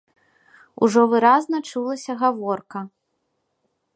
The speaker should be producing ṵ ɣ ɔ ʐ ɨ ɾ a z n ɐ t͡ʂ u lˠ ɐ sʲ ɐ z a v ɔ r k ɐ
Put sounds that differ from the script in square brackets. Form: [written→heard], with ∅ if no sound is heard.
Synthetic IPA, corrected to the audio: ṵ [ɣ→ʐ] ɔ [ʐ→v] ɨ ɾ a z n ɐ t͡ʂ u lˠ ɐ sʲ ɐ [z→ɣ] a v ɔ r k ɐ